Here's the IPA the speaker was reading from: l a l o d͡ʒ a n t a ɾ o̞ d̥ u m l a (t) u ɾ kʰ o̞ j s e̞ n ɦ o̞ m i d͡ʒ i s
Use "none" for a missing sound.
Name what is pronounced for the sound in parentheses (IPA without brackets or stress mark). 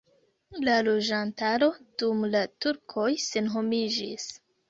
t